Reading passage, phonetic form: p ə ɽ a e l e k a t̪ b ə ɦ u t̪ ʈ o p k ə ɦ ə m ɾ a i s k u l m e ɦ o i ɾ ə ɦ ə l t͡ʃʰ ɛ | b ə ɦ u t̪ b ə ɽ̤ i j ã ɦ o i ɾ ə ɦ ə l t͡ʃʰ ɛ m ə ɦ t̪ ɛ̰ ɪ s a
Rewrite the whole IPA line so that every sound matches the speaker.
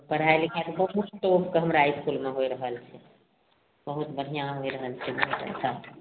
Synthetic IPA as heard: p ə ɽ a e l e k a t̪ b ə ɦ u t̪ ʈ o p k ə ɦ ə m ɾ a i s k u l m e ɦ o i ɾ ə ɦ ə l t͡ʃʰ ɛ | b ə ɦ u t̪ b ə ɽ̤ i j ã ɦ o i ɾ ə ɦ ə l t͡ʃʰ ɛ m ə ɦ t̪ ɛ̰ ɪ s a